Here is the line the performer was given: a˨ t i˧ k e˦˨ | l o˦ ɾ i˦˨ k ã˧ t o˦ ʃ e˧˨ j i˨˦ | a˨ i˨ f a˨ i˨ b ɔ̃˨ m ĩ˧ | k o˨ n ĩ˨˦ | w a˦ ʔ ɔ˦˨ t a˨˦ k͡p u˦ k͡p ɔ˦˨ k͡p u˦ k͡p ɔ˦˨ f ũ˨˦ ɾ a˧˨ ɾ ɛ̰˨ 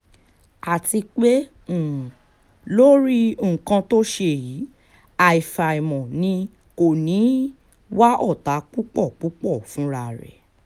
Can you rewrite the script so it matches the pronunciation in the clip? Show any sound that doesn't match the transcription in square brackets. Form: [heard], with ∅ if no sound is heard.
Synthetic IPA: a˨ t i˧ [k͡p] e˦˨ | l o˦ ɾ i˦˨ k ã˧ t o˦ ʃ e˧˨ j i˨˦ | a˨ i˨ f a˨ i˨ [m] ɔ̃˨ [n] ĩ˧ | k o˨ n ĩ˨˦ | w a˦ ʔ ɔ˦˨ t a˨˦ k͡p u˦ k͡p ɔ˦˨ k͡p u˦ k͡p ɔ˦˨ f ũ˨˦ ɾ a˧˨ ɾ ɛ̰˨